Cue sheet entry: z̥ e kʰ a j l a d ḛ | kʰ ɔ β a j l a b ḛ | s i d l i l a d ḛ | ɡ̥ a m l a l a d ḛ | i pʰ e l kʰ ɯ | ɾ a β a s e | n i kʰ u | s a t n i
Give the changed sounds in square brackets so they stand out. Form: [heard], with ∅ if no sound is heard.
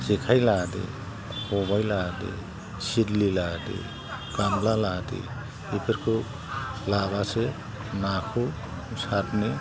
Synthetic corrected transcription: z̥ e kʰ a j l a d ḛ | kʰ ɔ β a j l a [d] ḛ | s i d l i l a d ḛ | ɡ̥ a m l a l a d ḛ | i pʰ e [ɾ] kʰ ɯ | [l] a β a s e | n [a] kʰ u | s a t n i